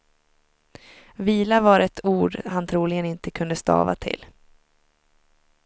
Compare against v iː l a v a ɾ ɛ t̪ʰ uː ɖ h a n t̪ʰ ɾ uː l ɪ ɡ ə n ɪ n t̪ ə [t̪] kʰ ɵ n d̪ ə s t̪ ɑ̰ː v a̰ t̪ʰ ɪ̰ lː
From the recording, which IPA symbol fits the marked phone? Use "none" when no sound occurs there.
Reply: none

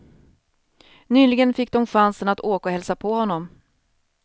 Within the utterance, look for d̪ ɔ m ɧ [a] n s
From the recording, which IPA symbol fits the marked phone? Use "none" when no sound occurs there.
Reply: a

